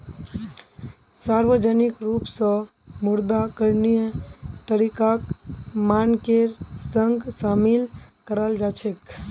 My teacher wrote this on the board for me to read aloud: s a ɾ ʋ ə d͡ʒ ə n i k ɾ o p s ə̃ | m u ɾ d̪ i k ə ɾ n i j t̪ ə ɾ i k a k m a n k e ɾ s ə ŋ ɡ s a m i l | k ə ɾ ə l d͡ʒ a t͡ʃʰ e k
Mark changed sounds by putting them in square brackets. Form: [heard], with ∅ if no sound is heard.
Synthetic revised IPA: s a ɾ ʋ ə d͡ʒ ə n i k ɾ [u] p s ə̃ | m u ɾ d̪ [a] k ə ɾ n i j t̪ ə ɾ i k a k m a n k e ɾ s ə ŋ ɡ s a m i l | k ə ɾ ə l d͡ʒ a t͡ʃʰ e k

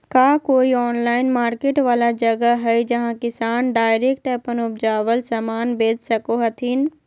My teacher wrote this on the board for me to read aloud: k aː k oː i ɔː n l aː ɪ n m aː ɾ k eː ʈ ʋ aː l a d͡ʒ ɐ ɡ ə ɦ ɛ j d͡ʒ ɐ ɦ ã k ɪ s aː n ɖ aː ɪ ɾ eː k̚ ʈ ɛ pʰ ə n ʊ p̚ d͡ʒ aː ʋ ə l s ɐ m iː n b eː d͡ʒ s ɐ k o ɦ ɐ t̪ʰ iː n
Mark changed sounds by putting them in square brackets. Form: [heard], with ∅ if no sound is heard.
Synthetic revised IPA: k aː k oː i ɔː n l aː ɪ n m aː ɾ k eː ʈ ʋ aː l a d͡ʒ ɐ ɡ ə ɦ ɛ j d͡ʒ ɐ ɦ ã k ɪ s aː n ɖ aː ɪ ɾ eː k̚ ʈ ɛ [p] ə n ʊ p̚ d͡ʒ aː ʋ ə l s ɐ m [aː] n b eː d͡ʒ s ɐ k o ɦ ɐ t̪ʰ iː n

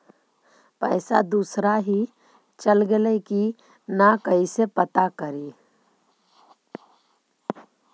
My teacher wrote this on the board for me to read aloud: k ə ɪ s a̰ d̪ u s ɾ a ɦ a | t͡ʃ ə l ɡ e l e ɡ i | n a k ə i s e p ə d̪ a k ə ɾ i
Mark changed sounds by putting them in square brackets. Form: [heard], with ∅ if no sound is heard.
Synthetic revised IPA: [p] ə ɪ s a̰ d̪ u s ɾ a ɦ [i] | t͡ʃ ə l ɡ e l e [k] i | n a k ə i s e p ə [t̪] a k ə ɾ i

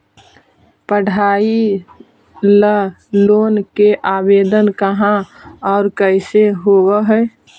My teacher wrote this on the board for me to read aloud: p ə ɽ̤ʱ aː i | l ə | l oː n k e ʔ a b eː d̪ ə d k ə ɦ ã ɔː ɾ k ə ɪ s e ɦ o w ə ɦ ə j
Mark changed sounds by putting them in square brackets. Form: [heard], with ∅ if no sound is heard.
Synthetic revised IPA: p ə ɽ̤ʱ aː i | l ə | l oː n k e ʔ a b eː d̪ ə [n] k ə ɦ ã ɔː ɾ k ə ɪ s e ɦ o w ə ɦ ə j

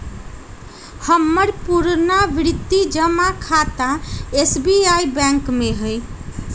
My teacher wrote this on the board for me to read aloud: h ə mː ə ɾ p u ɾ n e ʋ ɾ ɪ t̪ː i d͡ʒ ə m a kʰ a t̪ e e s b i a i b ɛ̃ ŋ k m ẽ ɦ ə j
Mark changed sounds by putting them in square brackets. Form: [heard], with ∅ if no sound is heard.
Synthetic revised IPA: h ə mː ə ɾ p u ɾ n [a] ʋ ɾ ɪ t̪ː i d͡ʒ ə m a kʰ a t̪ [a] e s b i a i b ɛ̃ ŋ k m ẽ ɦ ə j

